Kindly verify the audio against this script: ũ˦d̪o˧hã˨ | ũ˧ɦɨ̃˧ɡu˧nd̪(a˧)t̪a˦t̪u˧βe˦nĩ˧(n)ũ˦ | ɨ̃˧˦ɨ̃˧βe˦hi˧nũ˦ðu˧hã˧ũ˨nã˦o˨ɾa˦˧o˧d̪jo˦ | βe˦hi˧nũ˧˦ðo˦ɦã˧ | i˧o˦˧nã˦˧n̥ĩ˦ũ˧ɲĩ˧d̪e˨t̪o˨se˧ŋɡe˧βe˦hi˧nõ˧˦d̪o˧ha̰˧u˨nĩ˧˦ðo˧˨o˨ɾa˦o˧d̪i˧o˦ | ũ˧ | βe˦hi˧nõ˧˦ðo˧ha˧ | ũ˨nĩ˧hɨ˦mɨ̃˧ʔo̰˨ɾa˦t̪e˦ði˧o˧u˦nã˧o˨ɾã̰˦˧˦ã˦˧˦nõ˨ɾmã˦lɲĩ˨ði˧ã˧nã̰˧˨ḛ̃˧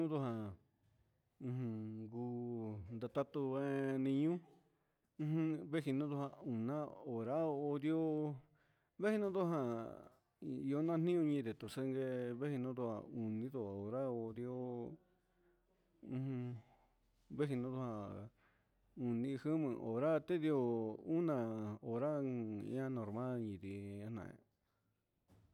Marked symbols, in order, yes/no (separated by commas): yes, no